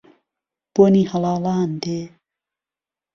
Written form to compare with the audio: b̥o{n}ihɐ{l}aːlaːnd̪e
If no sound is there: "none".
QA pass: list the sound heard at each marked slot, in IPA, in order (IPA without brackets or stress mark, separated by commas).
n, l